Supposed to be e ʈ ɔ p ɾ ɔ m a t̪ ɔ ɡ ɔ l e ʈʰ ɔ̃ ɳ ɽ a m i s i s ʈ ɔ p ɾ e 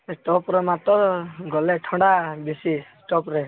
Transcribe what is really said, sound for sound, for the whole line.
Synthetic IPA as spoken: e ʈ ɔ p ɾ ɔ m a t̪ ɔ ɡ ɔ l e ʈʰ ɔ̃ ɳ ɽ a b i s i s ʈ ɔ p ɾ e